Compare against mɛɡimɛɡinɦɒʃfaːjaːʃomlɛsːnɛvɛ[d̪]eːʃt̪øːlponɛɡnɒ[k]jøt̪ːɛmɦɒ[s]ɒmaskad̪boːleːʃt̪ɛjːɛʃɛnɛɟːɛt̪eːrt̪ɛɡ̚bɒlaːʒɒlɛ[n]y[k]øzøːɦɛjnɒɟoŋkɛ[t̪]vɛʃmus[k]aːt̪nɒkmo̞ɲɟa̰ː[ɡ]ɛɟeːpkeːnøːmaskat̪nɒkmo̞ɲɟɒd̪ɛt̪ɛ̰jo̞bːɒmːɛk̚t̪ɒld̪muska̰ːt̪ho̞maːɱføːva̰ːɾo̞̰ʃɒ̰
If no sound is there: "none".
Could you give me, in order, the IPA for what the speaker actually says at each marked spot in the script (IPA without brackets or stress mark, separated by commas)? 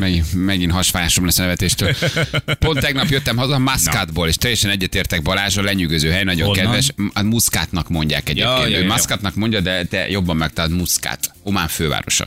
t̪, p, z, ɲ, ɡ, d̪, k, k